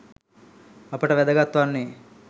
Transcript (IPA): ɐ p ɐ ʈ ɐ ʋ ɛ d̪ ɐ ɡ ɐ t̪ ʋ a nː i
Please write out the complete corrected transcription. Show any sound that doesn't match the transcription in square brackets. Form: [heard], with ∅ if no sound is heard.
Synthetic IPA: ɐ p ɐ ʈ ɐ ʋ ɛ d̪ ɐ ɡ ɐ t̪ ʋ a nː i